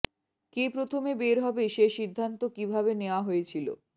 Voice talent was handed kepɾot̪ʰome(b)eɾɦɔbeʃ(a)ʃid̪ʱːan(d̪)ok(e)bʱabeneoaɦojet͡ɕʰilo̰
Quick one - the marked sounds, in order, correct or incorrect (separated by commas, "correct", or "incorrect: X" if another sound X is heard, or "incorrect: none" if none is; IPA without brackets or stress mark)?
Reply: correct, incorrect: e, incorrect: t̪, incorrect: i